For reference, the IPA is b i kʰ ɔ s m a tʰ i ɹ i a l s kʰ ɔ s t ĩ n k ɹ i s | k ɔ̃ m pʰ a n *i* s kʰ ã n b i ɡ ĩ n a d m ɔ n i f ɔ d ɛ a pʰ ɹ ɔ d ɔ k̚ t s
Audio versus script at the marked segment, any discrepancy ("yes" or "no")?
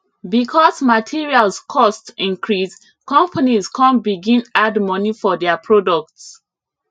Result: no